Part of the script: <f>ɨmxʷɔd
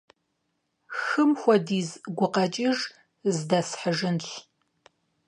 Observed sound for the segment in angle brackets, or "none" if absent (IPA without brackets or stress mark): x